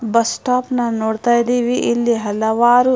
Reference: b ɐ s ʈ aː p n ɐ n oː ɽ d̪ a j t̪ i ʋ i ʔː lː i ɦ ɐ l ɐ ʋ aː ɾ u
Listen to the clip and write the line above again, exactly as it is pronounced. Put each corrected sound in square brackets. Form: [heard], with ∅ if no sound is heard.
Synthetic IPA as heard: b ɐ s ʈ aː p n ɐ n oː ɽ [t̪] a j [d̪] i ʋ i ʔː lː i ɦ ɐ l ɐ ʋ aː ɾ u

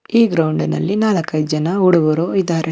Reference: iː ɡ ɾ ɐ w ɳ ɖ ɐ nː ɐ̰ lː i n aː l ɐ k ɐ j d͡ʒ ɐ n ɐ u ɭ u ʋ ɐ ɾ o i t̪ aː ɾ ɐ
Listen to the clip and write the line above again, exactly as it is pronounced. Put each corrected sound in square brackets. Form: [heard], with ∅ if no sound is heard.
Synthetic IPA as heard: iː ɡ ɾ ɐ w ɳ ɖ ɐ [n] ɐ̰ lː i n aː l ɐ k ɐ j d͡ʒ ɐ n ɐ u [ɽ] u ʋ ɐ ɾ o i [d̪] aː ɾ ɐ

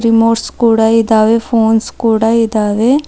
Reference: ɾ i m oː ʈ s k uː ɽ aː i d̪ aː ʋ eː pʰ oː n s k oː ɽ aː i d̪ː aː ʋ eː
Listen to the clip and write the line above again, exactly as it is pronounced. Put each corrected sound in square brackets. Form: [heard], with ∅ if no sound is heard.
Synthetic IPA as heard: ɾ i m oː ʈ s k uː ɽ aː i d̪ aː ʋ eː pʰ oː n s k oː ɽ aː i [d̪] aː ʋ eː

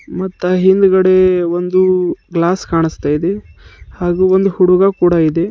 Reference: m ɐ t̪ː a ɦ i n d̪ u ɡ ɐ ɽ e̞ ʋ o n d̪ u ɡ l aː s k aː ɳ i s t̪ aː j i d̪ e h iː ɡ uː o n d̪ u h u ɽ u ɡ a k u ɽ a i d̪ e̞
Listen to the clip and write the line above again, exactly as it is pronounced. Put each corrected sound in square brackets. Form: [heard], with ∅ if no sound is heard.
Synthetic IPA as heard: m ɐ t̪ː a ɦ i n d̪ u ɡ ɐ ɽ e̞ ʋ o n d̪ u ɡ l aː s k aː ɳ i s t̪ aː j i d̪ e h [aː] ɡ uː o n d̪ u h u ɽ u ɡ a k [uː] ɽ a i d̪ e̞

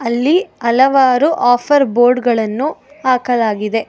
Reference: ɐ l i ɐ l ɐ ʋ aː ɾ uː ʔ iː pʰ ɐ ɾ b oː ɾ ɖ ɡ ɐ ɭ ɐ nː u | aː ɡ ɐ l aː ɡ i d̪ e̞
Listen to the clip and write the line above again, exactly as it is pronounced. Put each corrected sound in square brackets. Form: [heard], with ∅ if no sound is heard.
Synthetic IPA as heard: ɐ [lː] i ɐ l ɐ ʋ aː ɾ [u] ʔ [aː] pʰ ɐ ɾ b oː ɾ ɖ ɡ ɐ ɭ ɐ nː u | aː [k] ɐ l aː ɡ i d̪ e̞

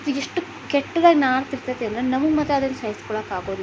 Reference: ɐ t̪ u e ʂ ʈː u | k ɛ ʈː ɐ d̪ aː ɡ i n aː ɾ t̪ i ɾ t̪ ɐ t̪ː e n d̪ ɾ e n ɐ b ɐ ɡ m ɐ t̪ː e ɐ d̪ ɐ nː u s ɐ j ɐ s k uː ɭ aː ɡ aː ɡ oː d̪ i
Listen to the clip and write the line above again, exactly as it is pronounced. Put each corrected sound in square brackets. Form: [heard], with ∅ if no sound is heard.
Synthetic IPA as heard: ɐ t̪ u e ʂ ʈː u | k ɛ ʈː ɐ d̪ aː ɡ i n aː ɾ t̪ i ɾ t̪ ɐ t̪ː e n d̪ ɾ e n ɐ [m] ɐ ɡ m ɐ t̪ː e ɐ d̪ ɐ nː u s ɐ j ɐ s k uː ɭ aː [k] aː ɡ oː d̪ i

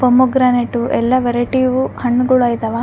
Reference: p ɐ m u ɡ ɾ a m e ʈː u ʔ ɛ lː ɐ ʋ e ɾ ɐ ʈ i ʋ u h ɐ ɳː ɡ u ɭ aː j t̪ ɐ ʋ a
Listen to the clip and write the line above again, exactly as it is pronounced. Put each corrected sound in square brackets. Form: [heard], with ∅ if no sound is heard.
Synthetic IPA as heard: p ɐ m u ɡ ɾ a [n] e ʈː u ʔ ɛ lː ɐ ʋ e ɾ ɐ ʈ i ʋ u h ɐ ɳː ɡ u ɭ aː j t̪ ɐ ʋ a

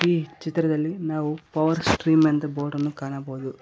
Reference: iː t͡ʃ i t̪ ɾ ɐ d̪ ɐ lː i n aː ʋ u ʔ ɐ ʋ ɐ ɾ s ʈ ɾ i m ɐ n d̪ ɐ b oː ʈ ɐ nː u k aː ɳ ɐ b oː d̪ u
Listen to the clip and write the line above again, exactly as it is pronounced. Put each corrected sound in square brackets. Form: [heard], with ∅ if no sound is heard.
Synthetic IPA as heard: iː t͡ʃ i t̪ ɾ ɐ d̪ ɐ lː i n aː ʋ u [p] ɐ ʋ ɐ ɾ s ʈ ɾ [iː] m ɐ n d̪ ɐ b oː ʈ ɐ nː u k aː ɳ ɐ b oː d̪ u

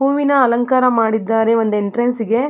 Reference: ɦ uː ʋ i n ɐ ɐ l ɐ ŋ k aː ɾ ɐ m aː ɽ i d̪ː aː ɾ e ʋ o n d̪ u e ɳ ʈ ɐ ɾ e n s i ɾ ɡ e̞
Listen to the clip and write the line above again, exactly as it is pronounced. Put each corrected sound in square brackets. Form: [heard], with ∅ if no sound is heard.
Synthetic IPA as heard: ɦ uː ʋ i n ɐ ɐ l ɐ ŋ k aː ɾ ɐ m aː ɽ i d̪ː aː ɾ e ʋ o n d̪ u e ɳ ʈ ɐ ɾ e n s i [∅] ɡ e̞

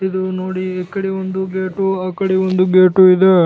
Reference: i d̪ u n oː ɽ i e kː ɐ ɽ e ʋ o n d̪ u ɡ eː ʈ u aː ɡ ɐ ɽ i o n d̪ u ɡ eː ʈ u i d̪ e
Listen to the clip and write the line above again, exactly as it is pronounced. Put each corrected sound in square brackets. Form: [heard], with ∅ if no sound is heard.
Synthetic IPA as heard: i d̪ u n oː ɽ i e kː ɐ ɽ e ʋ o n d̪ u ɡ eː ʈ u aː [k] ɐ ɽ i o n d̪ u ɡ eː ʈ u i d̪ e

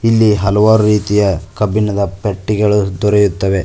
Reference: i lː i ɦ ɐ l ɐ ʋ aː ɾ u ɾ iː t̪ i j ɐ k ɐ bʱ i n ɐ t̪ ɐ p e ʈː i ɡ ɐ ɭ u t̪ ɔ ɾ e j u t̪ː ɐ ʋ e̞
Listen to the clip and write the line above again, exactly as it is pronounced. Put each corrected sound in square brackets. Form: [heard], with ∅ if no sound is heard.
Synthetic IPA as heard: i lː i ɦ ɐ l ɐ ʋ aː ɾ u ɾ iː t̪ i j ɐ k ɐ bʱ i n ɐ [d̪] ɐ p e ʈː i ɡ ɐ ɭ u [d̪] ɔ ɾ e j u t̪ː ɐ ʋ e̞

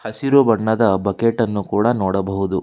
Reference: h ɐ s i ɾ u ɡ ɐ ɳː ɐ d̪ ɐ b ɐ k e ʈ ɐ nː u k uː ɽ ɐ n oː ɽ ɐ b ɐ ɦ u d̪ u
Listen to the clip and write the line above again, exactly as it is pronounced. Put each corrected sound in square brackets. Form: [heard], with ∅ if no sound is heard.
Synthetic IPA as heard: h ɐ s i ɾ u [b] ɐ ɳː ɐ d̪ ɐ b ɐ k e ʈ ɐ nː u k uː ɽ ɐ n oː ɽ ɐ b ɐ ɦ u d̪ u

